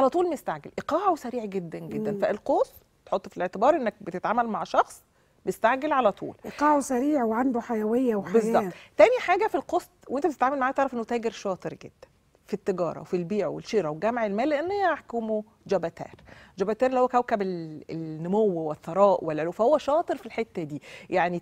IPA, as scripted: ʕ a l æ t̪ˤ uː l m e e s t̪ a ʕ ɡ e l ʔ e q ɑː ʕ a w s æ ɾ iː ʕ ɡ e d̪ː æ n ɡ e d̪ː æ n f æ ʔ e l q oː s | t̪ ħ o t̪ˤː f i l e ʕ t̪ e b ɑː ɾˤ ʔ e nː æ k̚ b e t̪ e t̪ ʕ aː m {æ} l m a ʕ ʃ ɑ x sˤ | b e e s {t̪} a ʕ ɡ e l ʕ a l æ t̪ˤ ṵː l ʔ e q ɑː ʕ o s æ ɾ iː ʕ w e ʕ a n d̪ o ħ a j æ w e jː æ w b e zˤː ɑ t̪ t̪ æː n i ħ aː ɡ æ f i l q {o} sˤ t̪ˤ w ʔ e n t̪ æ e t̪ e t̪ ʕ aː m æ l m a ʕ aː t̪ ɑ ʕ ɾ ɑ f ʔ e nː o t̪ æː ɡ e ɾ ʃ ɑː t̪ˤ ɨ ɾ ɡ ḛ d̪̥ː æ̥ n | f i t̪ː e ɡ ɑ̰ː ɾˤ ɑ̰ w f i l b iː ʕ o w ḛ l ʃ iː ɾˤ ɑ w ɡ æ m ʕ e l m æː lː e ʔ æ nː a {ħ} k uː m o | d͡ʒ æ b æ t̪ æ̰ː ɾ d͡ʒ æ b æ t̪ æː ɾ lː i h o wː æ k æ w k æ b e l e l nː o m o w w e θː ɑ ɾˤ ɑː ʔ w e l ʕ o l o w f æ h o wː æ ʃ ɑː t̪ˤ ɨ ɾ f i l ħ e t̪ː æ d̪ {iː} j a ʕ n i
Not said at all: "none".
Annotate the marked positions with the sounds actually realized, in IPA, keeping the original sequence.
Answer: æ, t̪, o, ħ, iː

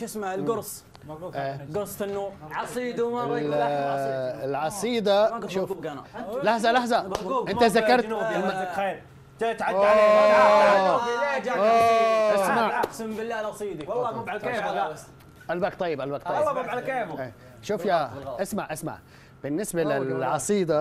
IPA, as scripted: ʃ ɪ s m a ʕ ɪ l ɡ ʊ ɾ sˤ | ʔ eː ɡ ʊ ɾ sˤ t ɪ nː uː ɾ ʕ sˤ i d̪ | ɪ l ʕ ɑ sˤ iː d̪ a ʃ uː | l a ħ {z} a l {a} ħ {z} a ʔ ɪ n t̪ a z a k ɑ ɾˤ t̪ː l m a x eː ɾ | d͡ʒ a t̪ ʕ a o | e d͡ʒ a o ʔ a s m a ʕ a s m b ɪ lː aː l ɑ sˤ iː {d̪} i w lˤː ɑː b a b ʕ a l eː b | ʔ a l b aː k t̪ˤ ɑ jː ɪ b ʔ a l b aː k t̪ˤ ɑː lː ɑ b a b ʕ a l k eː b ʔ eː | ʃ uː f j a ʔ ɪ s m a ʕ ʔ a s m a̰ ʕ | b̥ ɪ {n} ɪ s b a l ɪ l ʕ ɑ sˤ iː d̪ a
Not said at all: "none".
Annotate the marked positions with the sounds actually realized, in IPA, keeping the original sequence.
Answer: z, a, z, d̪, nː

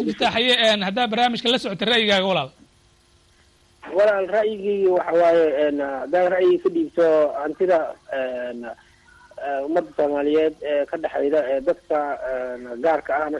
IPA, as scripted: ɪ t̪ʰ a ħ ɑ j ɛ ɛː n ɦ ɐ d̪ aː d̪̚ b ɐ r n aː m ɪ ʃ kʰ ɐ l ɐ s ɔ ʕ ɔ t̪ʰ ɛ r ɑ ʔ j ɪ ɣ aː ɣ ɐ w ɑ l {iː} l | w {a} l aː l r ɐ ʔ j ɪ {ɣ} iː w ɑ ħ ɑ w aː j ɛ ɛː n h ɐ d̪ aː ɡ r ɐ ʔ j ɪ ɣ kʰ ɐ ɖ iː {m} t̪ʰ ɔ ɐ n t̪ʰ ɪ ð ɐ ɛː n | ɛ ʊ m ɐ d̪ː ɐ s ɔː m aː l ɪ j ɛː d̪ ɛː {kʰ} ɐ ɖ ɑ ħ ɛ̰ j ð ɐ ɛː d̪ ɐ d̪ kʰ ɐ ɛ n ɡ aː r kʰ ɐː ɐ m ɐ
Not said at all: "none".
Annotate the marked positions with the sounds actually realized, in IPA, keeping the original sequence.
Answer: aː, ɑ, ɣ, b, kʰ

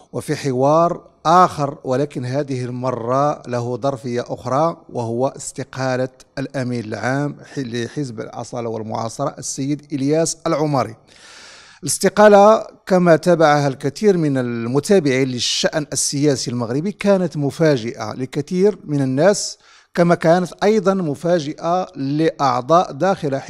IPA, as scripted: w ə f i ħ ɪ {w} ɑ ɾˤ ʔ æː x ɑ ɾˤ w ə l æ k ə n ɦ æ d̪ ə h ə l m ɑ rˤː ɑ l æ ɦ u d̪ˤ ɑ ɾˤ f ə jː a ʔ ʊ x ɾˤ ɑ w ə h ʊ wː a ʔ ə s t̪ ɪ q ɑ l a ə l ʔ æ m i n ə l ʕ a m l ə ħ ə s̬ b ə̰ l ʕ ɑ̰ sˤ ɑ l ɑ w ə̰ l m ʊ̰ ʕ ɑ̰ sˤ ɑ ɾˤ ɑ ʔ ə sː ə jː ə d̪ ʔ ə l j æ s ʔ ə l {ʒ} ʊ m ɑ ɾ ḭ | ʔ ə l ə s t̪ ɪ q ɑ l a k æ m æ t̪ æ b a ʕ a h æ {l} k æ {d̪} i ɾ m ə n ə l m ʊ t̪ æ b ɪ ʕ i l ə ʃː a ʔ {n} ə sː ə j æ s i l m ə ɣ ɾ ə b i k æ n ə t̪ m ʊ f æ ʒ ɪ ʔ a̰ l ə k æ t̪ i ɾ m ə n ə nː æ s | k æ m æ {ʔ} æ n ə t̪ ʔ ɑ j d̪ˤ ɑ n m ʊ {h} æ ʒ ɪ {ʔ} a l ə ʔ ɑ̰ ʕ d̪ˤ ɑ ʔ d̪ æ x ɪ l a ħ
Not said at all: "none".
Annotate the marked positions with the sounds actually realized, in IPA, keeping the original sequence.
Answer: w, ʕ, l, t̪, n, k, f, ʔ

